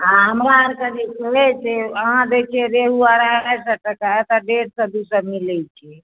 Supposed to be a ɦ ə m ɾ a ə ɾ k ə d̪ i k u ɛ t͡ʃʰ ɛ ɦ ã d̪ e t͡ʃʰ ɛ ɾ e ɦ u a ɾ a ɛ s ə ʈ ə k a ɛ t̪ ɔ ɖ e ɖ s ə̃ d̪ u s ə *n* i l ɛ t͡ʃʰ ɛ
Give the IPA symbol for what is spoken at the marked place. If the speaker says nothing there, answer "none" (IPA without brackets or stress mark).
m